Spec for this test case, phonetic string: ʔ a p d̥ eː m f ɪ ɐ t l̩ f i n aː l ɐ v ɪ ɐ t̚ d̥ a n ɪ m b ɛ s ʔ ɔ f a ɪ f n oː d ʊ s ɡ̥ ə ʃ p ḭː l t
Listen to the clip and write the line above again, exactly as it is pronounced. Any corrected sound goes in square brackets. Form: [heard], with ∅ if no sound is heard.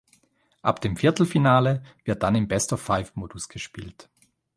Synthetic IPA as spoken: ʔ a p d̥ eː m f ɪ ɐ t l̩ f i n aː l [ə] v ɪ ɐ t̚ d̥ a n ɪ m b ɛ s [t] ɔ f a ɪ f [m] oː d ʊ s ɡ̥ ə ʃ p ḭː l t